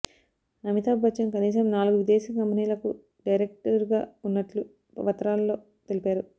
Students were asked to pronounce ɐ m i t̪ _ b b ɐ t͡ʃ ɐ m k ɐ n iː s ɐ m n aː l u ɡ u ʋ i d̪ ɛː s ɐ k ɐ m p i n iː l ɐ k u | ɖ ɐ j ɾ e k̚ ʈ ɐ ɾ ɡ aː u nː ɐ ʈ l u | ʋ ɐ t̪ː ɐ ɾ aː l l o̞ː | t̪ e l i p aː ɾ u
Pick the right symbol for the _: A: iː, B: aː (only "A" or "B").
B